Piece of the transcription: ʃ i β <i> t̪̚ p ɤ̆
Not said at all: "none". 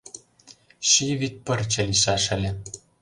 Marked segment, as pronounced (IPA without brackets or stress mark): i